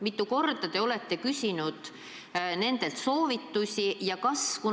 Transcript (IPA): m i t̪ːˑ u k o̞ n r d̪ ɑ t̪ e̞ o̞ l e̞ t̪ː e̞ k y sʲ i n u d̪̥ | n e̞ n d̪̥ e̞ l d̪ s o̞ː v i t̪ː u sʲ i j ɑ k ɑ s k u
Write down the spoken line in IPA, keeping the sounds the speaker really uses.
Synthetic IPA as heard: m i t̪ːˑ u k o̞ r d̪ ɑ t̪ e̞ o̞ l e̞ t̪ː e̞ k y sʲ i n u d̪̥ | n e̞ n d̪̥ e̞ l t̪ s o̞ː v i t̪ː u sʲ i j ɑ k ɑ s k u